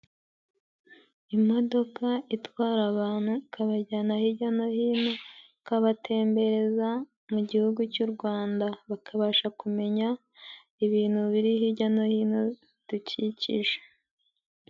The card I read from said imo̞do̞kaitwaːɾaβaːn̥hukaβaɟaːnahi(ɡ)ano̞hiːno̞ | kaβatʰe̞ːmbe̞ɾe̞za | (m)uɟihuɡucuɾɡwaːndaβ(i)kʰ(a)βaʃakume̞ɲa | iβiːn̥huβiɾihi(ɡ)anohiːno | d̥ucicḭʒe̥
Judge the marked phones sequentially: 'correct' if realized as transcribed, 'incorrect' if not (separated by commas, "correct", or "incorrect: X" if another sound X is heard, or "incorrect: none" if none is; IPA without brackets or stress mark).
incorrect: ɟ, correct, incorrect: a, correct, incorrect: ɟ